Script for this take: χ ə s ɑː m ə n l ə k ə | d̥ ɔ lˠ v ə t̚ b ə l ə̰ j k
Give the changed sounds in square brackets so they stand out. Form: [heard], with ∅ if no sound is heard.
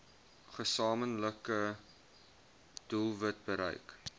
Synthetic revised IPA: χ ə s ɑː m ə n l ə k ə | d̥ [u] lˠ v ə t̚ b ə [ɾ] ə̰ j k

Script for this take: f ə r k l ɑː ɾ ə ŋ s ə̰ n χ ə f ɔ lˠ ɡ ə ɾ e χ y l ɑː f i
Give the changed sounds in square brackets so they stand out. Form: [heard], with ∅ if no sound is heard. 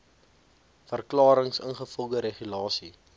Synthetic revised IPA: f ə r k l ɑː ɾ ə ŋ s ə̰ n χ ə f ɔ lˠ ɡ ə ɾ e χ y l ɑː [s] i

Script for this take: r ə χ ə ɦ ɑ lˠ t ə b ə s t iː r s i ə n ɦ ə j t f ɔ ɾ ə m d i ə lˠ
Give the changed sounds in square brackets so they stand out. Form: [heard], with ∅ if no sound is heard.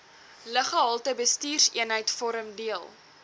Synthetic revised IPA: [l] ə χ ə ɦ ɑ lˠ t ə b ə s t iː r s i ə n ɦ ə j t f ɔ ɾ ə m d i ə lˠ

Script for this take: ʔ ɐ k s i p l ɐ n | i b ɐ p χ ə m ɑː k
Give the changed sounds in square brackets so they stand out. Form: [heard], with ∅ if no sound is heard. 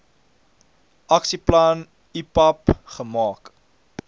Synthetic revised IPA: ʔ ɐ k s i p l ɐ n | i [p] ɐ p χ ə m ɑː k

